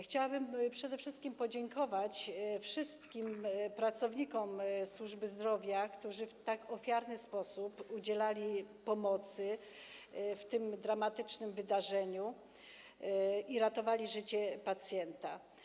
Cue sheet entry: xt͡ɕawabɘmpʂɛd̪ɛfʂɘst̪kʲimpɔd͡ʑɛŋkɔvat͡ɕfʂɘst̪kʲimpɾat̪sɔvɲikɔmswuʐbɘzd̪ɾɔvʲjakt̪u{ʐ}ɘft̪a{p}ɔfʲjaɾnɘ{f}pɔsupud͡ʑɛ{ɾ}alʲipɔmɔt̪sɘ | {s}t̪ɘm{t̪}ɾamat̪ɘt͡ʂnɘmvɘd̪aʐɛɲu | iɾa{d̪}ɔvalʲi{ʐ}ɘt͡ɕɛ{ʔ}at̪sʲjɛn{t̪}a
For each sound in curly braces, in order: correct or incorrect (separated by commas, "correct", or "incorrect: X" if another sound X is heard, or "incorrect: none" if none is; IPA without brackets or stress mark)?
correct, incorrect: k, incorrect: s, incorrect: l, incorrect: f, incorrect: d̪, incorrect: t̪, correct, incorrect: p, correct